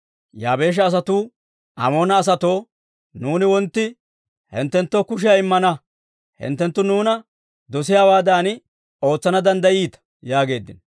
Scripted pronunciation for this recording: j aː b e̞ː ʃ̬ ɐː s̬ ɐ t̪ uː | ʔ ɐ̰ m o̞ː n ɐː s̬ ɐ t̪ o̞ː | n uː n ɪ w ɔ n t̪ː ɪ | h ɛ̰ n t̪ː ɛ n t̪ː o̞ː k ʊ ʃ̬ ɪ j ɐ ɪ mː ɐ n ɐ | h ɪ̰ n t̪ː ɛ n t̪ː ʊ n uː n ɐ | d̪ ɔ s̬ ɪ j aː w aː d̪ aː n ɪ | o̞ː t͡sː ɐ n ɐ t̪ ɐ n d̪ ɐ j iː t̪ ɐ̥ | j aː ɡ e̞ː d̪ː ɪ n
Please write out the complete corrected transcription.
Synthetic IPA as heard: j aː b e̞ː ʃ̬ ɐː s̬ ɐ t̪ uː | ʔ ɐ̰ m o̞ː n ɐː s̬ ɐ t̪ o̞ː | n uː n ɪ w ɔ n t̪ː ɪ | h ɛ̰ n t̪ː ɛ n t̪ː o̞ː k ʊ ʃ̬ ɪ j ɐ ɪ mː ɐ n ɐ | h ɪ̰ n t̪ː ɛ n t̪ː ʊ n uː n ɐ | d̪ ɔ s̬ ɪ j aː w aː d̪ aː n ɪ | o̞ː t͡sː ɐ n ɐ d̪ ɐ n d̪ ɐ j iː t̪ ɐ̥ | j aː ɡ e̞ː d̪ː ɪ n